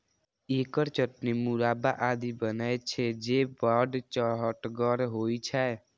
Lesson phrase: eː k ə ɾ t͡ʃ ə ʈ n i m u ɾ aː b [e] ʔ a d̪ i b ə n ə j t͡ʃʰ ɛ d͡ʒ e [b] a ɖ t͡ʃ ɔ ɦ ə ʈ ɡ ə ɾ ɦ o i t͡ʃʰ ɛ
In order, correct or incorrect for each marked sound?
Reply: incorrect, correct

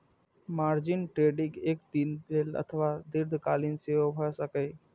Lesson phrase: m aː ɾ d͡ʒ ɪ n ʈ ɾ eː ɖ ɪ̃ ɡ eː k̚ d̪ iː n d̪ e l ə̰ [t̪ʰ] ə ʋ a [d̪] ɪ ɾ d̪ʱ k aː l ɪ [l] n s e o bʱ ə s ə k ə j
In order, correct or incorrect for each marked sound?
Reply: correct, correct, incorrect

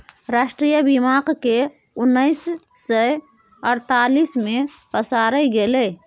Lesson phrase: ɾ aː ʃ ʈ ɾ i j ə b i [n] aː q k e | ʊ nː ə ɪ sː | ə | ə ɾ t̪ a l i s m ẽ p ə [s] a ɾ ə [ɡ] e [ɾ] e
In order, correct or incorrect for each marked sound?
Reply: incorrect, correct, correct, incorrect

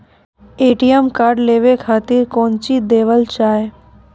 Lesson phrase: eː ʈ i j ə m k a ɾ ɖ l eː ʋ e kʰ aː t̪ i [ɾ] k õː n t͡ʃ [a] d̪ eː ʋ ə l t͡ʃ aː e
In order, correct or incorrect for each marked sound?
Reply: correct, incorrect

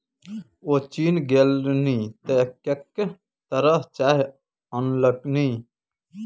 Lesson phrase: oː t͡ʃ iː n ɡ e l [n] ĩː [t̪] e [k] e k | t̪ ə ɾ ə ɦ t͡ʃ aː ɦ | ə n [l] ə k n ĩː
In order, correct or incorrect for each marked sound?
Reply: correct, correct, correct, correct

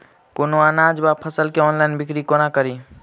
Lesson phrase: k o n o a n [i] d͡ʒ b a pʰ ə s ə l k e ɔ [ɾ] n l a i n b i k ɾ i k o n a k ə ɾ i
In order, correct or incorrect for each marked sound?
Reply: incorrect, incorrect

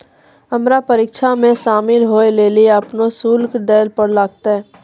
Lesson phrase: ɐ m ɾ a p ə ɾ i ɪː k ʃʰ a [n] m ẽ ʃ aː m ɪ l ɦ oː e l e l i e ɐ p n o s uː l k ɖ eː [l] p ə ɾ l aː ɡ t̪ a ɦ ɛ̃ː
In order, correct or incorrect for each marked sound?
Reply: incorrect, correct

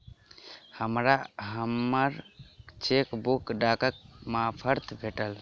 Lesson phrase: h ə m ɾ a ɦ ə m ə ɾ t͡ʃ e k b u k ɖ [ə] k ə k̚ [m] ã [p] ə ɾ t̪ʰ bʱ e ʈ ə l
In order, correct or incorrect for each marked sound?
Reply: incorrect, correct, incorrect

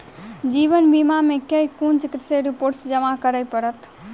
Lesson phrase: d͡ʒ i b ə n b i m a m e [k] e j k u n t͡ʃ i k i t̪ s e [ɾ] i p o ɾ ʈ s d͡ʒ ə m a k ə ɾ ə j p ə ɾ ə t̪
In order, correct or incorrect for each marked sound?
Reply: correct, correct

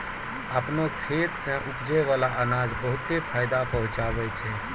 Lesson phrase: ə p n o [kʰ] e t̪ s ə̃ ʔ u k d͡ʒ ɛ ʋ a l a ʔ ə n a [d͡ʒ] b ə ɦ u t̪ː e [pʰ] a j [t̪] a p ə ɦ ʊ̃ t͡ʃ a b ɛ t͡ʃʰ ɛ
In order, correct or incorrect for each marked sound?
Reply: correct, correct, correct, incorrect

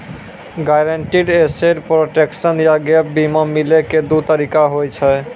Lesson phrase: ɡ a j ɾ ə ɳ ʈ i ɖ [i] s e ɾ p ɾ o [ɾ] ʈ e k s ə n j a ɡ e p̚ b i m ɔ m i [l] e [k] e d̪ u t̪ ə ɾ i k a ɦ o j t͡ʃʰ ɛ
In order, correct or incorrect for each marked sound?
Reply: incorrect, incorrect, correct, correct

